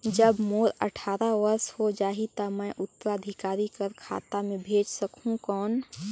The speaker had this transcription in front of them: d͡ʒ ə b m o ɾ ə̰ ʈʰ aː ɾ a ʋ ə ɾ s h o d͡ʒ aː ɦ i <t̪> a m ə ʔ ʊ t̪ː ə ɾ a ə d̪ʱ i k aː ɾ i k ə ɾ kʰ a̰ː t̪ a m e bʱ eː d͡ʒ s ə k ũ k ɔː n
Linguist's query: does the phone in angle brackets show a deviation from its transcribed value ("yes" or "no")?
no